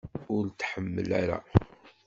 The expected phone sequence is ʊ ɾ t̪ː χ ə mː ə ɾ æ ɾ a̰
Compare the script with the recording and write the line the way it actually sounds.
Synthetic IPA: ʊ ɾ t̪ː ħ ə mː ə l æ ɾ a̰